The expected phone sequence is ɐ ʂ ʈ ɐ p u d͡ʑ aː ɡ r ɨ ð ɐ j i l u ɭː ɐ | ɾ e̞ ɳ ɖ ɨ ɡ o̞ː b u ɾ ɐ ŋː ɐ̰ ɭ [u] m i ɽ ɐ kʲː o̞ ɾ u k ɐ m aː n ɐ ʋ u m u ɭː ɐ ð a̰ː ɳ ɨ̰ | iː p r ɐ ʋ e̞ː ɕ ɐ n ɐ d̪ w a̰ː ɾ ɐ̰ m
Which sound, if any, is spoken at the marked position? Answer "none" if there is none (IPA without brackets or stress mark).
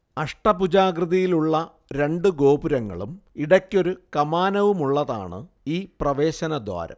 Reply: u